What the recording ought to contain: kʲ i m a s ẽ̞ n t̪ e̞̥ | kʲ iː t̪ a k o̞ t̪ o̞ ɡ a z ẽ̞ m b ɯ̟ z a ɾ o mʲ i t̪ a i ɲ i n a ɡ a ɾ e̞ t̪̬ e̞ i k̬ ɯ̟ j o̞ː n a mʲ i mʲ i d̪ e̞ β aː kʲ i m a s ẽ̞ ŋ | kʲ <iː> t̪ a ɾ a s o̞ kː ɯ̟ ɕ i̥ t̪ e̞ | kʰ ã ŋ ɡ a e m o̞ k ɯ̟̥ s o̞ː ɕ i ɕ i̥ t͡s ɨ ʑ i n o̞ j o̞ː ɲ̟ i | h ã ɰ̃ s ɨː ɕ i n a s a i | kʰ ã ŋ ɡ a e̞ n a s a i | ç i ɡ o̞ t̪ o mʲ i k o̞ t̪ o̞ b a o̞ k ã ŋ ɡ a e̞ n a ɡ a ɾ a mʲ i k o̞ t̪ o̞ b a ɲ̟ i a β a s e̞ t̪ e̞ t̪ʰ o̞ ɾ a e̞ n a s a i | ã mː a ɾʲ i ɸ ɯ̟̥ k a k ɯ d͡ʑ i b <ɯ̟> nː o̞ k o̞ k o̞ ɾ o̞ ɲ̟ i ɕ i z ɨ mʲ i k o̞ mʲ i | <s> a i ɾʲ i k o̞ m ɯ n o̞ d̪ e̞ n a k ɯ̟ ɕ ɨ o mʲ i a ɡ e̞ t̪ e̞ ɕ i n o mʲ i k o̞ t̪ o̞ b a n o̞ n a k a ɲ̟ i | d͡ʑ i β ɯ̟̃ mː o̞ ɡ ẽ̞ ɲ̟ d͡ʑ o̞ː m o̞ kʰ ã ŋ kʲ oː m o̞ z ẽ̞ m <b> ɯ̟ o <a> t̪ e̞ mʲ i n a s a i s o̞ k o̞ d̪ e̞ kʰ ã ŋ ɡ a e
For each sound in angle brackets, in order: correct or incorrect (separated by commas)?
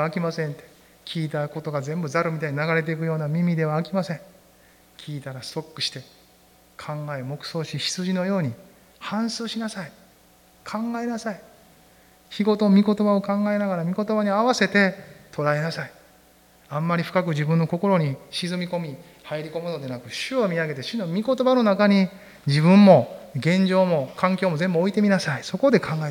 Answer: correct, incorrect, incorrect, correct, incorrect